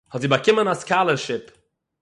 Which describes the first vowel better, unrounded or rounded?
rounded